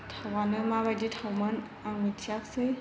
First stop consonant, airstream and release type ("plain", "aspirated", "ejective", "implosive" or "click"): aspirated